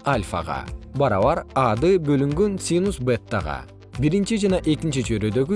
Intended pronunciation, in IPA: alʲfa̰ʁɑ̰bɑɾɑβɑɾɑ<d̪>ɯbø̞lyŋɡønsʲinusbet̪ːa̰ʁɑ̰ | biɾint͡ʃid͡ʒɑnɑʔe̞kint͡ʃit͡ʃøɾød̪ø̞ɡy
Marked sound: correct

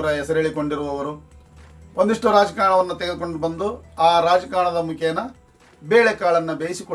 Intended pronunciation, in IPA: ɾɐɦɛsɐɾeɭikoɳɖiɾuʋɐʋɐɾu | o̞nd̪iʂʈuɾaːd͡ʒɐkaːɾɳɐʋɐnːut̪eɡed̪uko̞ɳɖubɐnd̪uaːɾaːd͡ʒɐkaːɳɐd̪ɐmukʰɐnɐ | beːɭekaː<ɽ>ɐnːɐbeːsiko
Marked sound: incorrect: ɭ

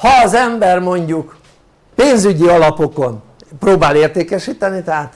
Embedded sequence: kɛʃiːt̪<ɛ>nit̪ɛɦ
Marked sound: correct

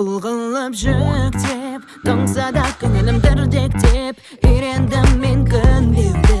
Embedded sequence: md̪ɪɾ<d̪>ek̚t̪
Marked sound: correct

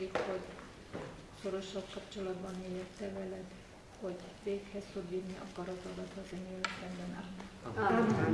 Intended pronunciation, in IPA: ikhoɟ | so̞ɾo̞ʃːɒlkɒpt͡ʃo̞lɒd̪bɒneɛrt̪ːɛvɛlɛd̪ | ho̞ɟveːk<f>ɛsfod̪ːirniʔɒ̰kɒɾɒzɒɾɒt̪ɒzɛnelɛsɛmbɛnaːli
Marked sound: incorrect: h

